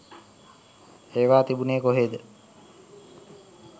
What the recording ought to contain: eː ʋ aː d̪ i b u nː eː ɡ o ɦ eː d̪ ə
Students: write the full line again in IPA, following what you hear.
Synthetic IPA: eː ʋ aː t̪ i b u n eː k o ɦ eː d̪ ə